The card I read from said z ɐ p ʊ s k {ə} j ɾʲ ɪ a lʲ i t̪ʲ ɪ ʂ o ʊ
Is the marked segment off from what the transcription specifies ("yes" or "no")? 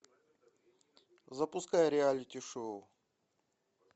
yes